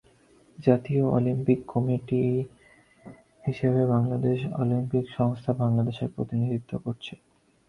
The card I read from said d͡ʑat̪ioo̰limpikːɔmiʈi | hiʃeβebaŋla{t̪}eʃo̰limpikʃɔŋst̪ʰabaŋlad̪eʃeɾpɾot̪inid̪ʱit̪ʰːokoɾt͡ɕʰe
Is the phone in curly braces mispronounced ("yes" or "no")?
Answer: yes